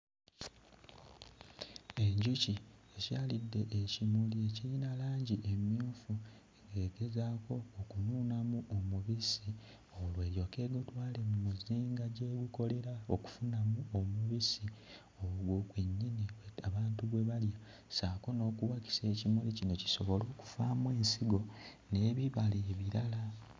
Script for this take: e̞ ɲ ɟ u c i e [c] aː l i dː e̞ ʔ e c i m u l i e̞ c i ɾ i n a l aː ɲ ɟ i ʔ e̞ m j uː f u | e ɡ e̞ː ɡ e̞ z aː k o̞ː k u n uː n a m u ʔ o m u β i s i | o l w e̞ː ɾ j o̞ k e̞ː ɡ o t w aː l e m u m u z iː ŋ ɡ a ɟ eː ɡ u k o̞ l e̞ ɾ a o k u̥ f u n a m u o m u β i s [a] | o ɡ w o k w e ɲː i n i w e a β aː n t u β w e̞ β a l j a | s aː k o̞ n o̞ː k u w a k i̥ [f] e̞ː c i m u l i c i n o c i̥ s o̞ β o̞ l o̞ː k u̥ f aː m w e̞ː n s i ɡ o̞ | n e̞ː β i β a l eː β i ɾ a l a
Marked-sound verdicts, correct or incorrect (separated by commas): correct, incorrect, incorrect